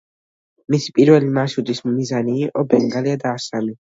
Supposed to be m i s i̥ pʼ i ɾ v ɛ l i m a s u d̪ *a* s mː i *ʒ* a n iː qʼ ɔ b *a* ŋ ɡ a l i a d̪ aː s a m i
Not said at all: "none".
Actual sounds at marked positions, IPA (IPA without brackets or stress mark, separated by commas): i, z, ɛ